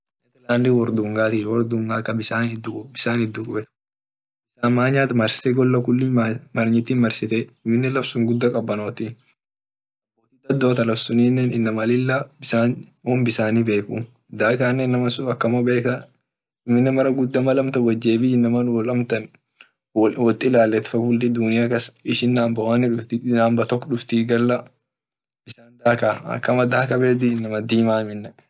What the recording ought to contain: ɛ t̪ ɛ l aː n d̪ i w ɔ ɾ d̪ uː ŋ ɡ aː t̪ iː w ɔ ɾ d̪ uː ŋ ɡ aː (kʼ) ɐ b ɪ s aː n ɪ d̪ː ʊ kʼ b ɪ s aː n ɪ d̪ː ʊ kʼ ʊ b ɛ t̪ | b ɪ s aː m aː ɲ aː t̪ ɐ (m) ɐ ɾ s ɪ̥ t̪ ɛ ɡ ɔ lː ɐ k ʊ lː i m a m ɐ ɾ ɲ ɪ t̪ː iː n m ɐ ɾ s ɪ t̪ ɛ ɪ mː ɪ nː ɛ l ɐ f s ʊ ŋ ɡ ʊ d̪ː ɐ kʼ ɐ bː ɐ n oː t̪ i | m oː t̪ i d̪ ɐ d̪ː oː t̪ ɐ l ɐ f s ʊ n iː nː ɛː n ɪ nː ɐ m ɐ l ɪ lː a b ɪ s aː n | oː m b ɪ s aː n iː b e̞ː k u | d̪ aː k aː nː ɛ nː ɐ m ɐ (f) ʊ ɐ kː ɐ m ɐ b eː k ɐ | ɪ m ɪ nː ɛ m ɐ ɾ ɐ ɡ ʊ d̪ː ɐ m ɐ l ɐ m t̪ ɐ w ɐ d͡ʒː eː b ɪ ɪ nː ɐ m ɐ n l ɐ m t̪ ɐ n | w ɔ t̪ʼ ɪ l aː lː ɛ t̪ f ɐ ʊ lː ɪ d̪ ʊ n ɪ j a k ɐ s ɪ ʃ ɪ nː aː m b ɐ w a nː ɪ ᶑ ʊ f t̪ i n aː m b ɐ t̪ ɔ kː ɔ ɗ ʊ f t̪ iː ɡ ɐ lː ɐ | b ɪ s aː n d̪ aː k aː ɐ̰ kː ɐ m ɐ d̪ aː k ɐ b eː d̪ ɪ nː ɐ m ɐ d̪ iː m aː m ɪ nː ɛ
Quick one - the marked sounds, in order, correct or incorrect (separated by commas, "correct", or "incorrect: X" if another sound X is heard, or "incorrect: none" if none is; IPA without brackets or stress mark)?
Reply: incorrect: k, correct, incorrect: s